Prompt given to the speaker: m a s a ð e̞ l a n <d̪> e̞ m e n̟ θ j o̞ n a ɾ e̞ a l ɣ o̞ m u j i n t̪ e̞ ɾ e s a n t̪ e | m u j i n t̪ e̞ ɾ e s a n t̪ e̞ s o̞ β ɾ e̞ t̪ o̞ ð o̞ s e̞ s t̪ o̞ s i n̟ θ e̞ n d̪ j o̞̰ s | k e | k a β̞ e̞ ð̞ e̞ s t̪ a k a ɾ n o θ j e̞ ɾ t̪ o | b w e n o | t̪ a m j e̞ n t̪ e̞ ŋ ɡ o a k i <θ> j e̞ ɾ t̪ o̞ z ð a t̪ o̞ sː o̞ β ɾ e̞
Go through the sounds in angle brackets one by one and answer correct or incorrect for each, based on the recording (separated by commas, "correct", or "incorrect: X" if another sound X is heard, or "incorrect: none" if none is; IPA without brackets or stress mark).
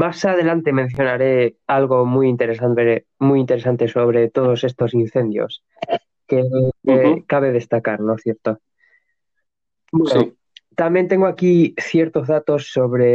incorrect: t̪, correct